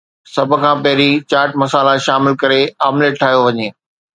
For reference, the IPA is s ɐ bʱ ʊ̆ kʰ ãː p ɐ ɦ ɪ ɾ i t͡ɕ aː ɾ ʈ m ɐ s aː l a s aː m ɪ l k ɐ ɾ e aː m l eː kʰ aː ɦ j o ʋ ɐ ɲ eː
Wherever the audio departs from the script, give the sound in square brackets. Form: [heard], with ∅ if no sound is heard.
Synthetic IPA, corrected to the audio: s ɐ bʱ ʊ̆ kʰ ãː p ɐ ɦ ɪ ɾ i t͡ɕ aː ɾ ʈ m ɐ s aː l a [ʃ] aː m ɪ l k ɐ ɾ e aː m l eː [ʈʰ] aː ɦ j o ʋ ɐ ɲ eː